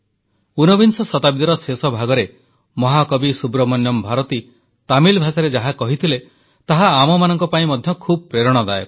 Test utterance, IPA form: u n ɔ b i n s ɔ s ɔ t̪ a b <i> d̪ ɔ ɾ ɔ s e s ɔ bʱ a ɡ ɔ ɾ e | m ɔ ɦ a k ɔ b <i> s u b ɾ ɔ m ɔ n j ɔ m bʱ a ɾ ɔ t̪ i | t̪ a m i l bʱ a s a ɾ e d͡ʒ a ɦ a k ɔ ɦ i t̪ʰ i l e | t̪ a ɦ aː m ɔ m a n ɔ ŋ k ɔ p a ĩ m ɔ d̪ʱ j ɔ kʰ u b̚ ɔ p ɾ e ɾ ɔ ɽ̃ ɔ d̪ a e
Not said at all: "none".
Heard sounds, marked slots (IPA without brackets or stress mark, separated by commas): i, i